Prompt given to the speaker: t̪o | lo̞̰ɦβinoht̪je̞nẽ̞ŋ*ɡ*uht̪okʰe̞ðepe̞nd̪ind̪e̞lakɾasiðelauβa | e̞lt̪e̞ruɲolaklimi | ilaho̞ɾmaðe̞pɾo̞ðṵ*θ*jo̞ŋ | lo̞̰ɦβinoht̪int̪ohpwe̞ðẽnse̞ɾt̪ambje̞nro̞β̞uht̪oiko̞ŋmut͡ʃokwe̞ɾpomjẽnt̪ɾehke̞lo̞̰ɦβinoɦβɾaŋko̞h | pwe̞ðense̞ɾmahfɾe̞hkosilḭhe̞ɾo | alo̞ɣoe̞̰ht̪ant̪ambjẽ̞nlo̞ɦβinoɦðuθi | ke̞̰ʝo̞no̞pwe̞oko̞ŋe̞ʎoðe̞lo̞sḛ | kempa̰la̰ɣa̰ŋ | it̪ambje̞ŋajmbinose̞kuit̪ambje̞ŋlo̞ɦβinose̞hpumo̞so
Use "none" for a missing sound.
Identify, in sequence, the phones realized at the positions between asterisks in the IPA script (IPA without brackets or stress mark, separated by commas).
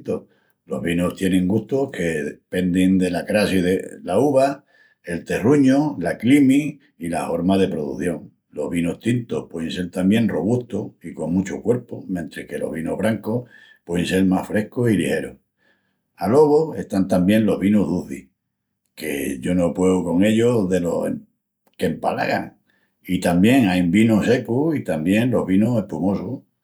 ɡ, θ